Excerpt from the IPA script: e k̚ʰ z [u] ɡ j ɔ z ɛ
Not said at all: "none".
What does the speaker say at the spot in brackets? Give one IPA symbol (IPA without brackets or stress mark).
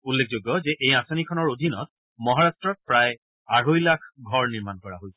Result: o